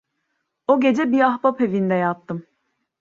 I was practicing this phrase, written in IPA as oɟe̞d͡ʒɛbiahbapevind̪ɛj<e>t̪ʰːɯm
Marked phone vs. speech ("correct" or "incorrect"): incorrect